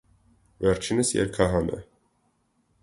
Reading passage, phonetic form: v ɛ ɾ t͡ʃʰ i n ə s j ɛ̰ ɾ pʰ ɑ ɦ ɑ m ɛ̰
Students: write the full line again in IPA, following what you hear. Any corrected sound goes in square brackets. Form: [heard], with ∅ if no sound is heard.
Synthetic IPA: v ɛ ɾ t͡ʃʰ i n ə s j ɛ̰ ɾ [kʰ] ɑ ɦ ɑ [n] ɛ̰